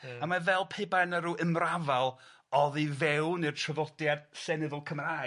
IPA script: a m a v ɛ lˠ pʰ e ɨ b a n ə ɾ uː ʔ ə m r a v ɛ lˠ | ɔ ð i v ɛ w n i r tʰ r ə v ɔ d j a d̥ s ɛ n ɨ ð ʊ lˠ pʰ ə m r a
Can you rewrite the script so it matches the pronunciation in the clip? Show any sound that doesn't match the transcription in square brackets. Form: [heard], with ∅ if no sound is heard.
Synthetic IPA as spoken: a m a v ɛ lˠ pʰ e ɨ b a n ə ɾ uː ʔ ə m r a v [a] lˠ | ɔ ð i v ɛ w n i r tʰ r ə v ɔ d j a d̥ s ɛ n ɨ ð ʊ lˠ [kʰ] ə m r a